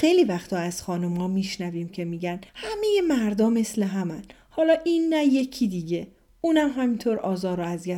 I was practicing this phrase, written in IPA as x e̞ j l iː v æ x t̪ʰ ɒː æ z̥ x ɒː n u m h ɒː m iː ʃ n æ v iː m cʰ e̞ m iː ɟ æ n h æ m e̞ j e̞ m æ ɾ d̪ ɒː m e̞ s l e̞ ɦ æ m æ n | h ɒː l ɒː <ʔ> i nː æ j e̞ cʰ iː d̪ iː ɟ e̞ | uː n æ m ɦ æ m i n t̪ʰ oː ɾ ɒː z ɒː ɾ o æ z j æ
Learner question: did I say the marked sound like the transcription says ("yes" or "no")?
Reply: yes